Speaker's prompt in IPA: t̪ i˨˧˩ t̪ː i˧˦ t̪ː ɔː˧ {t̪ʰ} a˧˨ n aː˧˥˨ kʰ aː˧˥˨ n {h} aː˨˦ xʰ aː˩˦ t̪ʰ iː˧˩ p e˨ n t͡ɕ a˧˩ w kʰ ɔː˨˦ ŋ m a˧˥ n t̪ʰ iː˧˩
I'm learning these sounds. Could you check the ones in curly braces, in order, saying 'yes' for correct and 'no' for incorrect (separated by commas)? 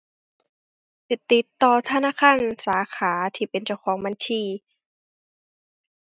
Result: yes, no